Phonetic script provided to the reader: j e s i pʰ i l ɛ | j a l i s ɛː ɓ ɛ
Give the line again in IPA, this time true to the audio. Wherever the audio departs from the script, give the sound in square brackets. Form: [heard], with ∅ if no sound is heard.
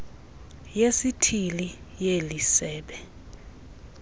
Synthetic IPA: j e s i [tʰ] i l [i] | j [e] l i s ɛː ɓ ɛ